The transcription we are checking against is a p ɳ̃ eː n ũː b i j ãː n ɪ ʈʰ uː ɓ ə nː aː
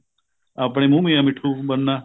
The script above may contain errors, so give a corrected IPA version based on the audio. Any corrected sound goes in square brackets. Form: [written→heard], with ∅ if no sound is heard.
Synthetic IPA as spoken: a p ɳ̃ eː [n→m] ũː [b→m] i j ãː [n→m] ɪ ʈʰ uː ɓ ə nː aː

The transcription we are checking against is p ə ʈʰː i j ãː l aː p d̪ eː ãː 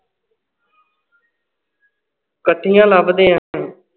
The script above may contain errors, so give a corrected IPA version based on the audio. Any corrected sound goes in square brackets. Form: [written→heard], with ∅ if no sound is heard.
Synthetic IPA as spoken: [p→k] ə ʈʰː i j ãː l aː [p→b] d̪ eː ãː

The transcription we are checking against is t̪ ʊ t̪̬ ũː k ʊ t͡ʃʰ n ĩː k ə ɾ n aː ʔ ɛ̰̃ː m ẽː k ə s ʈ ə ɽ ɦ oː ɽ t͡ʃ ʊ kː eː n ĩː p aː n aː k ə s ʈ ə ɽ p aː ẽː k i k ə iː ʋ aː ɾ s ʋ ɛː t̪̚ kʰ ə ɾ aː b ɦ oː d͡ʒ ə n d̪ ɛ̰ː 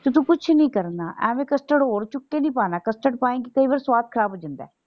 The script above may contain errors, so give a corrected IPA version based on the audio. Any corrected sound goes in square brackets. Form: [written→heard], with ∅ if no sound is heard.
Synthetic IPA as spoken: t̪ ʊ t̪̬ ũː k ʊ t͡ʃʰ n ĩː k ə ɾ n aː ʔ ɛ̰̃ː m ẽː k ə s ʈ ə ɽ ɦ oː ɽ t͡ʃ ʊ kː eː n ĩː p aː n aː k ə s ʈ ə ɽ p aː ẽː k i k ə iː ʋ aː ɾ s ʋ [ɛː→aː] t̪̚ kʰ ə ɾ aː b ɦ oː d͡ʒ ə n d̪ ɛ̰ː

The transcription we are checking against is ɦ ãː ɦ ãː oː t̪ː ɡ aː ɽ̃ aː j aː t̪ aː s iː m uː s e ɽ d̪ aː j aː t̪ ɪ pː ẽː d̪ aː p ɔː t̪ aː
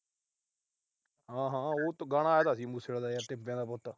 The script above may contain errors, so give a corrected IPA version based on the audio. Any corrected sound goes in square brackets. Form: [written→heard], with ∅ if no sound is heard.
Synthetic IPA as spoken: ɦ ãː ɦ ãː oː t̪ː ɡ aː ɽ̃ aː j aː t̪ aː s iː m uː s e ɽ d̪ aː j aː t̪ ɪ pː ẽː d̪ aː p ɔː t̪ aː

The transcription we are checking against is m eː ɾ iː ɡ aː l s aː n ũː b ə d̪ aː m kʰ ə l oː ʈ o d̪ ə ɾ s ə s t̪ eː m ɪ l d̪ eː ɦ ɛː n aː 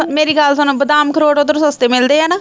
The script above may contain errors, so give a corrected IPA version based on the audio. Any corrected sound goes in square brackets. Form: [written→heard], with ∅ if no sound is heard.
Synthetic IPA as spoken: m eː ɾ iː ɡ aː l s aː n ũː b ə d̪ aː m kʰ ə [l→ɾ] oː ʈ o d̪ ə ɾ s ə s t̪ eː m ɪ l d̪ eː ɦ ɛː n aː

